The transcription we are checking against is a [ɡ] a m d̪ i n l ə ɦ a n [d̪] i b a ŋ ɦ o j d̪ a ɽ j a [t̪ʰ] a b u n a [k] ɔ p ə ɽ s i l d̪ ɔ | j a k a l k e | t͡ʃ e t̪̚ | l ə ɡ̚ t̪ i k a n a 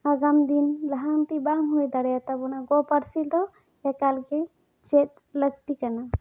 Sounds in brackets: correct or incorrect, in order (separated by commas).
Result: correct, incorrect, incorrect, incorrect